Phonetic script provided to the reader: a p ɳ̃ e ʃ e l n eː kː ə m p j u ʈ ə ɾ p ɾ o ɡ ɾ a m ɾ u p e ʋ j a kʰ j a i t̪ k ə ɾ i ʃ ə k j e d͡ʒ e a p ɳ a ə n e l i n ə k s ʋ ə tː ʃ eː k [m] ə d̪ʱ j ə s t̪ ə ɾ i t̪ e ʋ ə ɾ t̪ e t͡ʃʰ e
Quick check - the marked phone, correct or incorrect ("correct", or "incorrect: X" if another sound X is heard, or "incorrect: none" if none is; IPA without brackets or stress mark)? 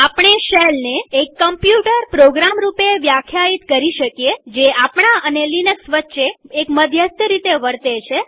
correct